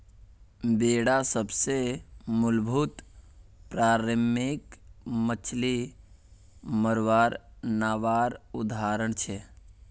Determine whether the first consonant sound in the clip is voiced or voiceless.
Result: voiced